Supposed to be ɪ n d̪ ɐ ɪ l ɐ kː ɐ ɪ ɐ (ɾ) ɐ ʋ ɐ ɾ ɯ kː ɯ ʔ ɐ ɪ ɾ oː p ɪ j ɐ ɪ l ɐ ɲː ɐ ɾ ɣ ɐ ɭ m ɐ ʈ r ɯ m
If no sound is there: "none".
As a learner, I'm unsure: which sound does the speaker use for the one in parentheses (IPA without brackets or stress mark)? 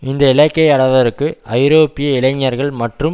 ɽ